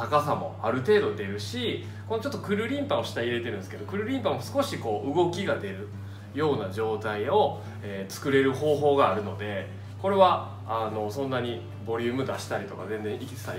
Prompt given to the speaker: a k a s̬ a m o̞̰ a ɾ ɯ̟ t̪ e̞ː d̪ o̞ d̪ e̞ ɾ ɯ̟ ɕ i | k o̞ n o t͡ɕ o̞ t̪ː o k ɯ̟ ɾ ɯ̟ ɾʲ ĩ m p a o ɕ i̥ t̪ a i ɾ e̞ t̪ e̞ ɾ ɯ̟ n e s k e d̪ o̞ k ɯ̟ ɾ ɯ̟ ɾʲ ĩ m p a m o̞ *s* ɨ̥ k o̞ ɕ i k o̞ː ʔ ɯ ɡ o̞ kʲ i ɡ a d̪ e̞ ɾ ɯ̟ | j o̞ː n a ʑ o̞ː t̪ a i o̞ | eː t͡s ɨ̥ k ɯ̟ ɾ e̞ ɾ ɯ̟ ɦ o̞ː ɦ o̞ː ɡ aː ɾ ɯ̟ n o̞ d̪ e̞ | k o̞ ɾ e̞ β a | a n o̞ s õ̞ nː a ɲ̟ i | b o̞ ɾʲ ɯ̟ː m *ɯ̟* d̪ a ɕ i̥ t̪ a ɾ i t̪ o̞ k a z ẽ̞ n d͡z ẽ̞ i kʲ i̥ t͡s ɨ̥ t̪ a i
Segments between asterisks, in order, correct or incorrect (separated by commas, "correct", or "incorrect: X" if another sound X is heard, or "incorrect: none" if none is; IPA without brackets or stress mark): correct, correct